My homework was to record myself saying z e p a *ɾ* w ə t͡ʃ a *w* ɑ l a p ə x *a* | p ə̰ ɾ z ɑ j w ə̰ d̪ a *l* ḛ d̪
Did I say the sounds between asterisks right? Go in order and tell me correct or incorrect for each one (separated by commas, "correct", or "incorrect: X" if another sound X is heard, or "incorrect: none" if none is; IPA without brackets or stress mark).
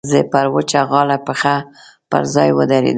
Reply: correct, incorrect: ɣ, correct, incorrect: ɾ